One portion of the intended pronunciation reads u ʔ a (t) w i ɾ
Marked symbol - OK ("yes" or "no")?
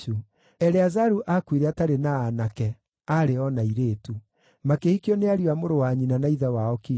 no